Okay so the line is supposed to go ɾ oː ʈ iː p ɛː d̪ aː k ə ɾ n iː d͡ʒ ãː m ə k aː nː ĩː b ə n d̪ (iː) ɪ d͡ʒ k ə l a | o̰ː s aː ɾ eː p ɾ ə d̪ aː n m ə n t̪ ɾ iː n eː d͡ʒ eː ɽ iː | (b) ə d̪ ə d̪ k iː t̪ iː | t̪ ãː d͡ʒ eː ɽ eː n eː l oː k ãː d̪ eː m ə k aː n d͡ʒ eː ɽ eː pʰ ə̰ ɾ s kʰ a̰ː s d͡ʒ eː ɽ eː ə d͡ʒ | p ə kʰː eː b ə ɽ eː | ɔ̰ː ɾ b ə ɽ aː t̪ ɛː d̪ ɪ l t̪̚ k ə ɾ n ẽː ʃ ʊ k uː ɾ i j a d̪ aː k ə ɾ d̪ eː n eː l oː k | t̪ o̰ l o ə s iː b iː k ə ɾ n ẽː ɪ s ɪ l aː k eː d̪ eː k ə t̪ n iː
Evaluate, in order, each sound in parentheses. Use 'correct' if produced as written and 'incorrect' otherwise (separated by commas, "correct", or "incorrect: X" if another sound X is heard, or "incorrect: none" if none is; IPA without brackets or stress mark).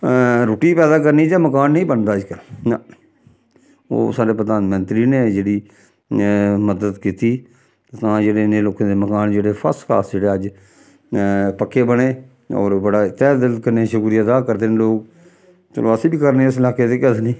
incorrect: aː, incorrect: m